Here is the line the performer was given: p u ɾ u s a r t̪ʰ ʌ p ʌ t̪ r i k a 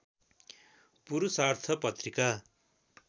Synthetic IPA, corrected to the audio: p u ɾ u s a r t̪ʰ ʌ p ʌ t̪ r i k a